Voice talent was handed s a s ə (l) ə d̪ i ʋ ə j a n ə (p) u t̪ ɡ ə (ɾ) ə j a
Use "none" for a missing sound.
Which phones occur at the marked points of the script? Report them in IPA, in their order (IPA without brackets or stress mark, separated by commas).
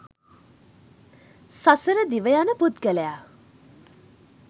ɾ, p, l